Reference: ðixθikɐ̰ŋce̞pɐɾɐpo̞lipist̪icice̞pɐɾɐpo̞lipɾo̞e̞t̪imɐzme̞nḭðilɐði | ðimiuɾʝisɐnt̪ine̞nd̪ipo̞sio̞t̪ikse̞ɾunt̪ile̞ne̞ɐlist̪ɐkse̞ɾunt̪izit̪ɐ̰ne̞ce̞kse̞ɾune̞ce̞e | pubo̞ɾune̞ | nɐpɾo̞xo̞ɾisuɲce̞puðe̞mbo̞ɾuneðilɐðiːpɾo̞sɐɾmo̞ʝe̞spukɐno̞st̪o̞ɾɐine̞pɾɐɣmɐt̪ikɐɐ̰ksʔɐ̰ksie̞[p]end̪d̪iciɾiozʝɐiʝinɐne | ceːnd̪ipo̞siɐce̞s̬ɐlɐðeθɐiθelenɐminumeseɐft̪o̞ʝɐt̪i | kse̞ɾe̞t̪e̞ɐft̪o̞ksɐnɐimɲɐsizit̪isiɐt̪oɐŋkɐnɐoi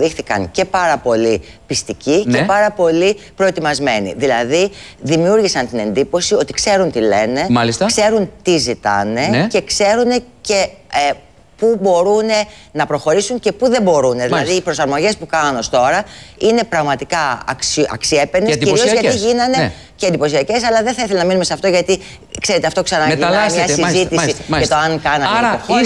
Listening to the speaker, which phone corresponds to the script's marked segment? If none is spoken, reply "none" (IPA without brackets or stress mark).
p